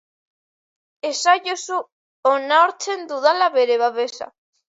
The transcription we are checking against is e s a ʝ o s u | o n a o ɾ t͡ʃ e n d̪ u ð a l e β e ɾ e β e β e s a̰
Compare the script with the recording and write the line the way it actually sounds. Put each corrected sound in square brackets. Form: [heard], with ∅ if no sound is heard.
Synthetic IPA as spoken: e s a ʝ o s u | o n a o ɾ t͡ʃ e n d̪ u ð a l [a] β e ɾ e β [a] β e s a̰